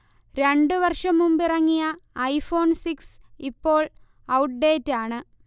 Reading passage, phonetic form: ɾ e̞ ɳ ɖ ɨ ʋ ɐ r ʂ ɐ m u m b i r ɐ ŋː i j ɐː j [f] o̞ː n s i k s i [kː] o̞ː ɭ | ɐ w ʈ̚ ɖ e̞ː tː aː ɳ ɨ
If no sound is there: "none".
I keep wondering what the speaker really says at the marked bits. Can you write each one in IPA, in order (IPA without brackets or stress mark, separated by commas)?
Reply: f, pː